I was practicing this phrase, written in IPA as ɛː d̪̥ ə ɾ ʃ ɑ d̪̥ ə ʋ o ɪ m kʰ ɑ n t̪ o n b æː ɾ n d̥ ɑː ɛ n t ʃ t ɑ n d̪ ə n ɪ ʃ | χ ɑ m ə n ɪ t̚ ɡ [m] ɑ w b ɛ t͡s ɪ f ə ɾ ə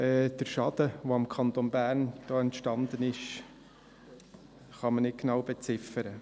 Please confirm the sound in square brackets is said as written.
no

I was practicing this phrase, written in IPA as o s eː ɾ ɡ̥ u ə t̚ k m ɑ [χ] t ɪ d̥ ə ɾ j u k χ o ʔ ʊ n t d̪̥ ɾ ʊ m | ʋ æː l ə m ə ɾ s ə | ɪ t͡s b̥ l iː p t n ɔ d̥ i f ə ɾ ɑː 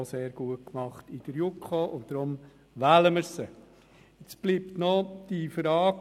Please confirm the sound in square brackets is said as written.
yes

